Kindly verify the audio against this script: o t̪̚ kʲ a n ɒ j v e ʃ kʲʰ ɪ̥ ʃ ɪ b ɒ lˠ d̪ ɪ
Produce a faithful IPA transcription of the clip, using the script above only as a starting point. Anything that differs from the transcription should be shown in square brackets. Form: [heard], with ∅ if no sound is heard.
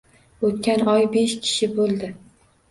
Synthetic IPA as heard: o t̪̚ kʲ a n ɒ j [b] e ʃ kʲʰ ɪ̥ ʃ ɪ b [o] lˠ d̪ ɪ